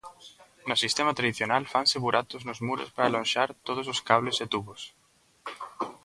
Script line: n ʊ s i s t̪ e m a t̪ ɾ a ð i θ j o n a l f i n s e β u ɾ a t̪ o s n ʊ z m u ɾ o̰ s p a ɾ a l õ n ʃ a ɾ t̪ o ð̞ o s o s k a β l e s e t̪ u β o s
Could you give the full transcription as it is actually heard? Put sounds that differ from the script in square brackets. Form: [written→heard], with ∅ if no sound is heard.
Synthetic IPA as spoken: n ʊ s i s t̪ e m a t̪ ɾ a ð i θ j o n a l f [i→a] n s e β u ɾ a t̪ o [s→z] n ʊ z m u ɾ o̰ s p a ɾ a l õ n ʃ a ɾ t̪ o ð̞ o s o s k a β l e s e t̪ u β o s

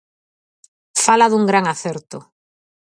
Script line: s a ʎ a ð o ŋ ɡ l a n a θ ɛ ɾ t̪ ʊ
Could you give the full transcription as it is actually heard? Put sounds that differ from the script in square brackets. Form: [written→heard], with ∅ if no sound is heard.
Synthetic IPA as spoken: [s→f] a [ʎ→l] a ð [o→u] ŋ ɡ [l→ɾ] a [n→ŋ] a θ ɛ ɾ t̪ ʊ

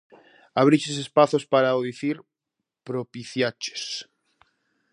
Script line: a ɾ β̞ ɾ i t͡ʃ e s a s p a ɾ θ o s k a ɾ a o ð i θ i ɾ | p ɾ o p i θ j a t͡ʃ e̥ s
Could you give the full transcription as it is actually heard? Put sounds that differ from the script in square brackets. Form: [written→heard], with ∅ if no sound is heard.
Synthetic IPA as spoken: a [ɾ→∅] β̞ ɾ i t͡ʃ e s [a→e] s p a [ɾ→∅] θ o s [k→p] a ɾ a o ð i θ i ɾ | p ɾ o p i θ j a t͡ʃ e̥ s

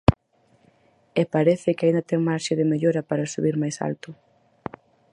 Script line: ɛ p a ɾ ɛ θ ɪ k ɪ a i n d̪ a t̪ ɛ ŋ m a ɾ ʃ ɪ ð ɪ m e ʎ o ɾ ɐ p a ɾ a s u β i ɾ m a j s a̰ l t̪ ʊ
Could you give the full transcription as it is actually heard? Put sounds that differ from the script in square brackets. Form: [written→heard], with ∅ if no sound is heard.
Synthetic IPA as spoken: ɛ p a ɾ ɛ θ ɪ k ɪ a i n d̪ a t̪ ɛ ŋ m a ɾ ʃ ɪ ð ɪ m e ʎ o ɾ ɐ p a ɾ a s u β i ɾ m a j s a̰ l t̪ ʊ

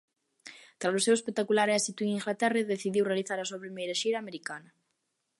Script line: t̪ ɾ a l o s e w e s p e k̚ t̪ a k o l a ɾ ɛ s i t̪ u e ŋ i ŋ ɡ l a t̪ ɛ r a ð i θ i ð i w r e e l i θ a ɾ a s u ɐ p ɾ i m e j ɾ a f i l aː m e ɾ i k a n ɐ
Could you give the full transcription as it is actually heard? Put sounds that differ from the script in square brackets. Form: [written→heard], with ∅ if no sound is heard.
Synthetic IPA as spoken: t̪ ɾ a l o s e w e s p e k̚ t̪ a k [o→u] l a ɾ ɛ s i t̪ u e ŋ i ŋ ɡ l a t̪ ɛ r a ð [i→e] θ i ð i w r e [e→a] l i θ a ɾ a s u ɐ p ɾ i m e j ɾ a [f→ʃ] i [l→ɾ] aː m e ɾ i k a n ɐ

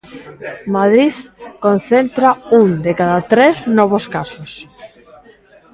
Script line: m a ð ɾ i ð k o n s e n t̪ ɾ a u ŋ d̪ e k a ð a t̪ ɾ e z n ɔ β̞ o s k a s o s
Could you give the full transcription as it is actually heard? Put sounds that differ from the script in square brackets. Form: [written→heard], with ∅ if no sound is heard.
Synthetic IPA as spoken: m a ð ɾ i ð k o n [s→θ] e n t̪ ɾ a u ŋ d̪ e k a ð a t̪ ɾ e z n ɔ β̞ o s k a s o s

